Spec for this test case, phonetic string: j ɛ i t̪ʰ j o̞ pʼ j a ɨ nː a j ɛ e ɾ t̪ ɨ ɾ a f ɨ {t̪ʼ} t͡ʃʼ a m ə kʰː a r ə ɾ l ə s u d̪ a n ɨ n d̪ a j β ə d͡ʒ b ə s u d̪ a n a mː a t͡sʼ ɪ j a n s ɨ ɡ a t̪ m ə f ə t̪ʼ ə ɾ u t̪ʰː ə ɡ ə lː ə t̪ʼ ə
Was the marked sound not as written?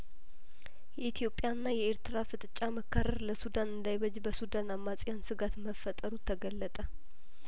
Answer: no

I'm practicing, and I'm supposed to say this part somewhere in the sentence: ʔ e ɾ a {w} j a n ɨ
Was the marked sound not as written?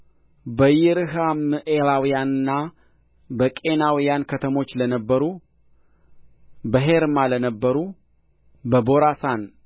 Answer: no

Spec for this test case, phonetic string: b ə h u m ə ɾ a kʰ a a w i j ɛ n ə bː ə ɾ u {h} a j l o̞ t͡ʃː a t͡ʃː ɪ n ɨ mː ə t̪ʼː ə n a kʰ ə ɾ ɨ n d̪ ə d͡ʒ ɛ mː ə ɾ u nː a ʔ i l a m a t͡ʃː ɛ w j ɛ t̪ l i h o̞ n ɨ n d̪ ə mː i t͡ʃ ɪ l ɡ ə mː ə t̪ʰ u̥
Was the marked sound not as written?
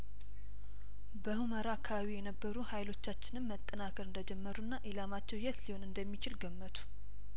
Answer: no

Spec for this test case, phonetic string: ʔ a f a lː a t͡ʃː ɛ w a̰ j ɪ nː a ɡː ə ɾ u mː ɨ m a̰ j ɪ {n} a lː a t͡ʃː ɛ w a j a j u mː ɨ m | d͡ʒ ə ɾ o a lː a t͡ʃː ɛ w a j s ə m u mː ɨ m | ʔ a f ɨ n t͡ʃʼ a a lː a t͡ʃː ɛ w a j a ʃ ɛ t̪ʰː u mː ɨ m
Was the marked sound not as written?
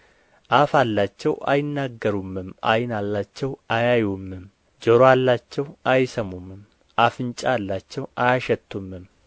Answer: no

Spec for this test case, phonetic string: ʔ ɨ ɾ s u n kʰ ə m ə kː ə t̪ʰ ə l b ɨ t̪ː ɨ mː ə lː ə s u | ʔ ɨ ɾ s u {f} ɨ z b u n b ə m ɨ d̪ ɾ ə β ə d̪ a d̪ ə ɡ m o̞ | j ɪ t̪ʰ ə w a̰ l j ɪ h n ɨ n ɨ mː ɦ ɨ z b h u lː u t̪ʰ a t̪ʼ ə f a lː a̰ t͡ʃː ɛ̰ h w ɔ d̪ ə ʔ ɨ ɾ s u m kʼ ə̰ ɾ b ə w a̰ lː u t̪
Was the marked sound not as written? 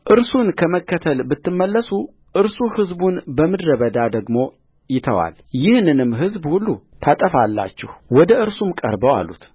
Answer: yes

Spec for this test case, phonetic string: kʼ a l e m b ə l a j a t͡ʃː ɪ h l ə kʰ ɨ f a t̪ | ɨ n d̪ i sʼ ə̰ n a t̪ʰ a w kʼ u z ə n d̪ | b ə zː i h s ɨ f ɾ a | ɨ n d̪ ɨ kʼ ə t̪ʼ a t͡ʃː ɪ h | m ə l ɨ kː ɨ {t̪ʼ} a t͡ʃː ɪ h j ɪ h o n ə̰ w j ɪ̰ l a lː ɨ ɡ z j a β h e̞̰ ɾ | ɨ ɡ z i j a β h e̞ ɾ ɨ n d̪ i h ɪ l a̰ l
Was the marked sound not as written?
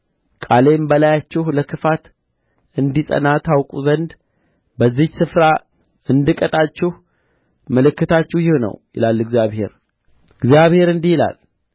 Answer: yes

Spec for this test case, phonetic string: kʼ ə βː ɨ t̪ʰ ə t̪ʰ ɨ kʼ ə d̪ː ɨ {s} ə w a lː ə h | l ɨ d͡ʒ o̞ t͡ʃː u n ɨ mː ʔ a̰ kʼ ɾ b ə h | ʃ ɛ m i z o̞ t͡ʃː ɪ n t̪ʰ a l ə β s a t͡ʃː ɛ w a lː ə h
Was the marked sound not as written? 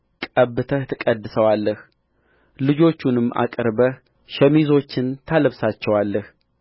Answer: no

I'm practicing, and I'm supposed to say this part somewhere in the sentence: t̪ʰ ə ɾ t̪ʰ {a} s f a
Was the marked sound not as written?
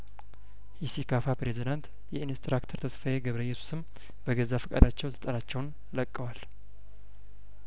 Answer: yes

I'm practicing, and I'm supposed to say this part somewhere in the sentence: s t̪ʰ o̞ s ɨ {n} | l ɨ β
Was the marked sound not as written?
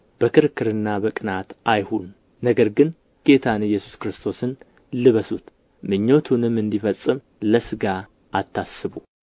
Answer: no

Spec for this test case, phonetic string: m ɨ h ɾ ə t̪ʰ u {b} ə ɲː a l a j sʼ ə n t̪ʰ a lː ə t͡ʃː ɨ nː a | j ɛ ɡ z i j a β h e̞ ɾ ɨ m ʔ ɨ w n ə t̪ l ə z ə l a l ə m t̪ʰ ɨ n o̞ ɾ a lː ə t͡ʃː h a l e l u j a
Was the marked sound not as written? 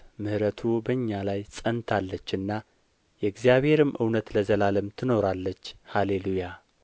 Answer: no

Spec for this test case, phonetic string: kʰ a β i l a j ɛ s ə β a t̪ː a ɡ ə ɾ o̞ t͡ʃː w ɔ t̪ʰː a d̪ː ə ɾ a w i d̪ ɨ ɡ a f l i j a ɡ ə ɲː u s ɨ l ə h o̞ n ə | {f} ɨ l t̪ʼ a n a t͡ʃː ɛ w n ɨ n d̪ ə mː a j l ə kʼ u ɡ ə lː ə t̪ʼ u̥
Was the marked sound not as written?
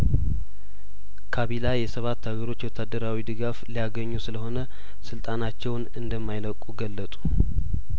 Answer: yes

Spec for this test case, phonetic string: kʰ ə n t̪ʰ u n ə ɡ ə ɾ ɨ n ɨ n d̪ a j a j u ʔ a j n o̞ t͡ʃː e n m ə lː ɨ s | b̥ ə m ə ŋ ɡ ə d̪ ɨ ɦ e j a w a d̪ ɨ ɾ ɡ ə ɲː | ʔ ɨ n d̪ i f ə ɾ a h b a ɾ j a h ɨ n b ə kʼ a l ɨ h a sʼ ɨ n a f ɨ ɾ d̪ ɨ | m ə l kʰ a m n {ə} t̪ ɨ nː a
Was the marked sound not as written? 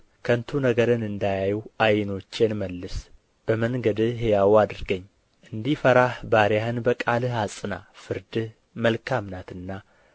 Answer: yes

